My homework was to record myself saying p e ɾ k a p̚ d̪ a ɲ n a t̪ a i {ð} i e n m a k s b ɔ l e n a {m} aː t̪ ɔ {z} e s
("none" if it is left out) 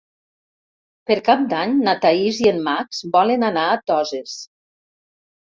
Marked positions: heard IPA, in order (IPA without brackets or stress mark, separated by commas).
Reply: z, n, z